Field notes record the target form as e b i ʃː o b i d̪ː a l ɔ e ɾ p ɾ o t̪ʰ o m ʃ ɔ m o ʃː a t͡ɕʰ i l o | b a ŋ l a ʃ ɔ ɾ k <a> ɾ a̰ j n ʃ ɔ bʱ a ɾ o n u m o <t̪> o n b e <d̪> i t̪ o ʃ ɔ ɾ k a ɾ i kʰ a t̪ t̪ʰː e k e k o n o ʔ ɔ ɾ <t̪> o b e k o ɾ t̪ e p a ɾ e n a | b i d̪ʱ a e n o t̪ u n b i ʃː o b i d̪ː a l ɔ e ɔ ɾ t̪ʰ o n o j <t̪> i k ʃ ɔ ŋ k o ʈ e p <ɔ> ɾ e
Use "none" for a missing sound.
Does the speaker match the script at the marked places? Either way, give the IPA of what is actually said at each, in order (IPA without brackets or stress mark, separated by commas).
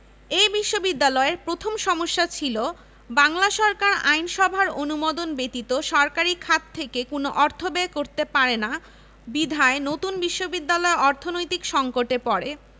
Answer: a, d̪, t̪, t̪ʰ, t̪, ɔ